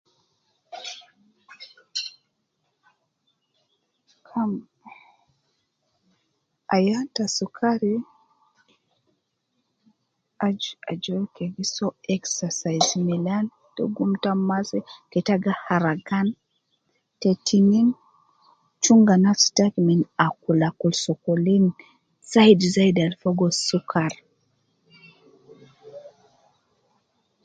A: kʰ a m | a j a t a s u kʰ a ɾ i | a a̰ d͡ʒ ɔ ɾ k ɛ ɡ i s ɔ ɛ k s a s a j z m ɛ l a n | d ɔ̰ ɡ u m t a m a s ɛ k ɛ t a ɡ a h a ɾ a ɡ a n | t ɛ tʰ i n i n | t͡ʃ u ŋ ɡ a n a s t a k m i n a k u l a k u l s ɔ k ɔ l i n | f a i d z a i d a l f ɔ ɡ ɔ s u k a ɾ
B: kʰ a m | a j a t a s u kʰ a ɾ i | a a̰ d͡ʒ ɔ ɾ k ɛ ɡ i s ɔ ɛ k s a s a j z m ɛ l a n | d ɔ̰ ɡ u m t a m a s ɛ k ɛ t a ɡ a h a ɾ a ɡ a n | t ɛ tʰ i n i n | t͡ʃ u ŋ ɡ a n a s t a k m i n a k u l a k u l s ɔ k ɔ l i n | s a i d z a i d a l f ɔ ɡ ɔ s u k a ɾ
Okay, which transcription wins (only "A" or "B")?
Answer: B